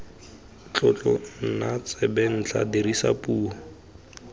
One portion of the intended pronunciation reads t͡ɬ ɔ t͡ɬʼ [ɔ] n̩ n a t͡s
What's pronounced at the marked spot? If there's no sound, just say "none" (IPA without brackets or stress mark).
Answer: ɔ